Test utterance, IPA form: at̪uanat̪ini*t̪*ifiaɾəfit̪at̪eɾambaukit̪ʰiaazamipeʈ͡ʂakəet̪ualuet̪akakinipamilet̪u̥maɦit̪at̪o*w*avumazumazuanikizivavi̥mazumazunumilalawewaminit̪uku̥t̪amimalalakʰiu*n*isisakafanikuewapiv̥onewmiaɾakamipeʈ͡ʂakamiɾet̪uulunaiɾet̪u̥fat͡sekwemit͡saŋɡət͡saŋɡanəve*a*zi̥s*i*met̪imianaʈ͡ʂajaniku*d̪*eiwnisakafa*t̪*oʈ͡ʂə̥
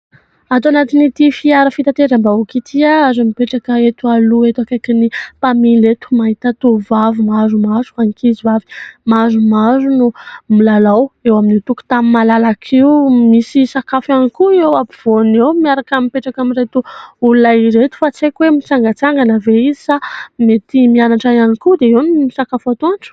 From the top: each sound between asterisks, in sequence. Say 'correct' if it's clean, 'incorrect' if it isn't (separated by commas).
correct, incorrect, incorrect, incorrect, incorrect, correct, correct